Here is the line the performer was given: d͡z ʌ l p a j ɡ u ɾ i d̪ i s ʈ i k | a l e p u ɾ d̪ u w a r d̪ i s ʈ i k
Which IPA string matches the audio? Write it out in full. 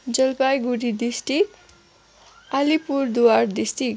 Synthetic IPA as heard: d͡z ʌ l p a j ɡ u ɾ i d̪ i s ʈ i k | a l i p u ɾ d̪ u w a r d̪ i s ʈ i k